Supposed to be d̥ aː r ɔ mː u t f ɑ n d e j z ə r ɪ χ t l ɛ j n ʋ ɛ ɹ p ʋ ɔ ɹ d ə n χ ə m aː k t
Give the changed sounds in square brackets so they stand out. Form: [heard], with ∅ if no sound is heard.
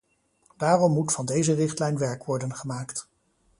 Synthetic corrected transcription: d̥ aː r ɔ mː u t f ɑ n d e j z ə r ɪ χ t l ɛ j n ʋ ɛ ɹ [k] ʋ ɔ ɹ d ə n χ ə m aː k t